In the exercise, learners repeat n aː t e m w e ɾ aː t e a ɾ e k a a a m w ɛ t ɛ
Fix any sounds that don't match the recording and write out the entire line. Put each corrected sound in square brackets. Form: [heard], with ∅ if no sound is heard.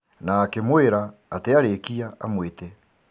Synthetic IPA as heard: n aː [k] e m w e ɾ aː t e a ɾ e k [i] a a m w [e] t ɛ